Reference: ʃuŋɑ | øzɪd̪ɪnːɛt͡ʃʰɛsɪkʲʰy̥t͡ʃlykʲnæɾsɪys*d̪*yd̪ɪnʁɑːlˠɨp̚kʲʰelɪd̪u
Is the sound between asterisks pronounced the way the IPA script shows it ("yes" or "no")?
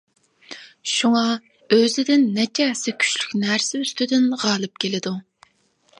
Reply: no